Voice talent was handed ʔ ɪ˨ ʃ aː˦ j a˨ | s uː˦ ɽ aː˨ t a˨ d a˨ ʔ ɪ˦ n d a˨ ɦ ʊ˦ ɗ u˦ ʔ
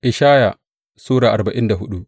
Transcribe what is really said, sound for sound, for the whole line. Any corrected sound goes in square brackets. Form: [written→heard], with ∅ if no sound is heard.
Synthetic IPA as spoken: ʔ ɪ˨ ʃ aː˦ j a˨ | s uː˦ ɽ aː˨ [t→ʔ] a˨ [d→b] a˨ ʔ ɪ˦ n d a˨ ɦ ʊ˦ ɗ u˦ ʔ